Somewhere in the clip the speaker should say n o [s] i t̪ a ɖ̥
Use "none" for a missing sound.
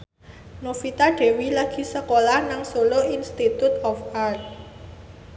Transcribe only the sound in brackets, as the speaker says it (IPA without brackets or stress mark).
f